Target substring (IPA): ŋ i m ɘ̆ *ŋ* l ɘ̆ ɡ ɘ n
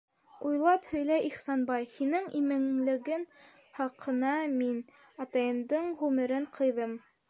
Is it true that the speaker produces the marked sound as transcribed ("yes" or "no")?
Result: yes